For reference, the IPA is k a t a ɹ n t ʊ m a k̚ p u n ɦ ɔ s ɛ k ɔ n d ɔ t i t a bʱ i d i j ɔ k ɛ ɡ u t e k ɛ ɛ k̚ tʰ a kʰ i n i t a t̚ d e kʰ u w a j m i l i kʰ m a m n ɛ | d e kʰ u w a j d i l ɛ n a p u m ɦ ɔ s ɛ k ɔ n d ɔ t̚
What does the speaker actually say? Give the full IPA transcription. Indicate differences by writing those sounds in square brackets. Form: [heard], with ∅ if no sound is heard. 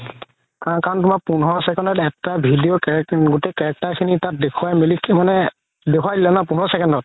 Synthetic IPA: k a [k] a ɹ n t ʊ m a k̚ p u n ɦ ɔ s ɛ k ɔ n d ɔ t [ɛ] t a bʱ i d i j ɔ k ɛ ɡ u t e k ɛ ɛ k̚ [t] a kʰ i n i t a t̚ d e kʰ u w a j m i l i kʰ m a [∅] n ɛ | d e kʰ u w a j d i l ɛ n a p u [n] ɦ ɔ s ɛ k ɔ n d ɔ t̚

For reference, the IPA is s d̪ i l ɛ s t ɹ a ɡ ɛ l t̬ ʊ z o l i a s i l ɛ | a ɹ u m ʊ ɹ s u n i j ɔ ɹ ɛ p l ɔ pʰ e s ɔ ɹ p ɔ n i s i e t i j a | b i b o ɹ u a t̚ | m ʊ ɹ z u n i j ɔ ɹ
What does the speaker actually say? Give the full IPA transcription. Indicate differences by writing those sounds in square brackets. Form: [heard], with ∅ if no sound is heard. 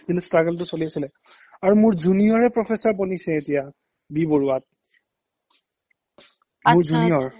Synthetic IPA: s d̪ i l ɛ s t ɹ a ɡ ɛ l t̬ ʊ [s] o l i a s i l ɛ | a ɹ u m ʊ ɹ [z] u n i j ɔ ɹ ɛ p [ɹ] ɔ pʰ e s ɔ ɹ p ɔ n i s [ɛ] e t i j a | b i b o ɹ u a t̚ | m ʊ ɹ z u n i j ɔ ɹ

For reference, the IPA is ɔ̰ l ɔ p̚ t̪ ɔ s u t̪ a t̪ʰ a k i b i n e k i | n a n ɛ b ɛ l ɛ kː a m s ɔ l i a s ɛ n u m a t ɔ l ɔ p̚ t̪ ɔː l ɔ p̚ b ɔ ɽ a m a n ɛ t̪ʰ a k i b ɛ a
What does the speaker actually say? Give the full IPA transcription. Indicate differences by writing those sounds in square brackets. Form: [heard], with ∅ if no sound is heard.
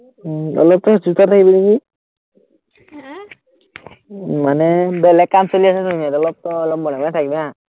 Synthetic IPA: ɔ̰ l ɔ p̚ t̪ ɔ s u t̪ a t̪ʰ a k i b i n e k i | [m] a n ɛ b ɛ l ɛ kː a m s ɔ l i a s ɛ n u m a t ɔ l ɔ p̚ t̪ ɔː l ɔ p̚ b ɔ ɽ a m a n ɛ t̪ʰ a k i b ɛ a

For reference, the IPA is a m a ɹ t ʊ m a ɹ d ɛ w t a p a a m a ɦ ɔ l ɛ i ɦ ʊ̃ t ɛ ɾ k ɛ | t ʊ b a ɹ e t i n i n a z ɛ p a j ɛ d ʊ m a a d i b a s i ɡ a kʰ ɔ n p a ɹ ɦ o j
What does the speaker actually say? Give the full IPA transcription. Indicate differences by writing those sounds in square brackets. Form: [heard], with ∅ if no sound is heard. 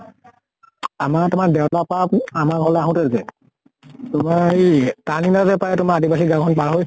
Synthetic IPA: a m a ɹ t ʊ m a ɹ d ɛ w t a p a a m a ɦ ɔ l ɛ [a] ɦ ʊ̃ t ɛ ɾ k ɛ | t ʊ [m] a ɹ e t [a] n i n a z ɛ p a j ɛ [t] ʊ m a a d i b a s i ɡ a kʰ ɔ n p a ɹ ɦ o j

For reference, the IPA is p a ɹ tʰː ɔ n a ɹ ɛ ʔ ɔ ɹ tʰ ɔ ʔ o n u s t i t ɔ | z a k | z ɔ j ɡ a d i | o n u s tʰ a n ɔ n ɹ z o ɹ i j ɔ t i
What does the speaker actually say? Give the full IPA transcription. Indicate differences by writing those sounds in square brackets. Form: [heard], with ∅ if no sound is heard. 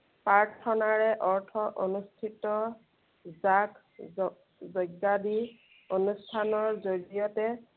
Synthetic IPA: p a ɹ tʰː ɔ n a ɹ ɛ ʔ ɔ ɹ tʰ ɔ ʔ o n u s [tʰ] i t ɔ | z a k | z ɔ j ɡ a d i | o n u s tʰ a n ɔ [∅] ɹ z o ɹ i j ɔ t [ɛ]

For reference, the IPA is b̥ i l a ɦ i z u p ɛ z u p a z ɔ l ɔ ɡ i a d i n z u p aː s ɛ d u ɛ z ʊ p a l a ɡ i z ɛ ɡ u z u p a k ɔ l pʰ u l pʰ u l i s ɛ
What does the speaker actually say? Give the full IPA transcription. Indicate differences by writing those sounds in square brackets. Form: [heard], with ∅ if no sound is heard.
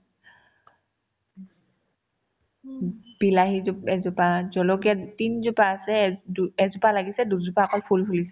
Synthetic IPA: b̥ i l a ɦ i z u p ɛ z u p a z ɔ l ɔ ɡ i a [t] i n z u p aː s ɛ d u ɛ z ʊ p a l a ɡ i [s] ɛ [d] u z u p a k ɔ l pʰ u l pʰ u l i s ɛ

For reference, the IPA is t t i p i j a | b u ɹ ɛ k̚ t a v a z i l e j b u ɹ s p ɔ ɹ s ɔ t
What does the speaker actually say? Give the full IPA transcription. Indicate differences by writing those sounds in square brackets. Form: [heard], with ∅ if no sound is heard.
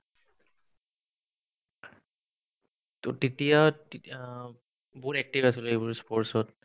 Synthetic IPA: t t i [t] i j a | b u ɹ ɛ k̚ t [i] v a [s] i l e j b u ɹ s p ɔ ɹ s ɔ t

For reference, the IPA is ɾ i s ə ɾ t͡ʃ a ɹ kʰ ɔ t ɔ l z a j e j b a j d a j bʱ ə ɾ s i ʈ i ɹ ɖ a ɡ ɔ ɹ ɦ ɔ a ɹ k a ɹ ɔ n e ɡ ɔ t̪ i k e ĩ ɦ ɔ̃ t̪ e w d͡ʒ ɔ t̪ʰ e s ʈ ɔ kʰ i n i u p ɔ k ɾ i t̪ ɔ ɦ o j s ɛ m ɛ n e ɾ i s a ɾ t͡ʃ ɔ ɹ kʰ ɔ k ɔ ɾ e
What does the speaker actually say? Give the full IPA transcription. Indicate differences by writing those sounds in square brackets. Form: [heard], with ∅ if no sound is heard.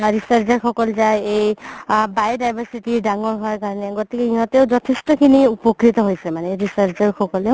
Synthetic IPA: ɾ i s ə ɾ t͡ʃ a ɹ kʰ ɔ [k] ɔ l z a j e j b a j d a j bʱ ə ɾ s i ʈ i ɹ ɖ a [ŋ] ɔ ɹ ɦ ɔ a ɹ k a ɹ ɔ n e ɡ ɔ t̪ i k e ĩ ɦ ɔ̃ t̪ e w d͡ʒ ɔ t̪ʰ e s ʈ ɔ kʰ i n i u p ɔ k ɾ i t̪ ɔ ɦ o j s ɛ m [a] n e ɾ i s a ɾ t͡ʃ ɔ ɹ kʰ ɔ k ɔ [l] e

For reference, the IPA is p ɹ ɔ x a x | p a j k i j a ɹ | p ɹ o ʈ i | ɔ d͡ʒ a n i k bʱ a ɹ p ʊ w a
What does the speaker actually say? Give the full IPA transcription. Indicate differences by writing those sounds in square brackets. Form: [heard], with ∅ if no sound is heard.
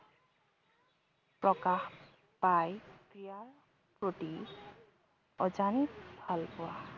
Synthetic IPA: p ɹ ɔ [k] a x | p a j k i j a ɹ | p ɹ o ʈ i | ɔ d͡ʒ a n i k bʱ a [l] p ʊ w a

